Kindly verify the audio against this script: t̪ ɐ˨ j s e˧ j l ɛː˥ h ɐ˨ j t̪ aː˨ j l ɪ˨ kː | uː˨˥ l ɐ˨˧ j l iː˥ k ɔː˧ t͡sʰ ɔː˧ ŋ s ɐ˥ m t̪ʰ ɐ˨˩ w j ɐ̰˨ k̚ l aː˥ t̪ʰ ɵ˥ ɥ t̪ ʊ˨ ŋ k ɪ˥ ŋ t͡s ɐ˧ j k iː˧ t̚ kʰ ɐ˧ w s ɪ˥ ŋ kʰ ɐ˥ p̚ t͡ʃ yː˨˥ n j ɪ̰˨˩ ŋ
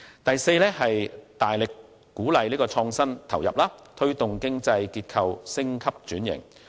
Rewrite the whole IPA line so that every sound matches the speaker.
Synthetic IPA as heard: t̪ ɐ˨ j s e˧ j l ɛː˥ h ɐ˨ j t̪ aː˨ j l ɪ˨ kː | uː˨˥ l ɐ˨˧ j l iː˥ k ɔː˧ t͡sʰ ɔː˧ ŋ s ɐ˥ n t̪ʰ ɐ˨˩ w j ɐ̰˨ p̚ l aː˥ t̪ʰ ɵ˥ ɥ t̪ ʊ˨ ŋ k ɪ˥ ŋ t͡s ɐ˧ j k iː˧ t̚ kʰ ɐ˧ w s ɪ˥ ŋ kʰ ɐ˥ p̚ t͡ʃ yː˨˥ n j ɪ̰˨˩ ŋ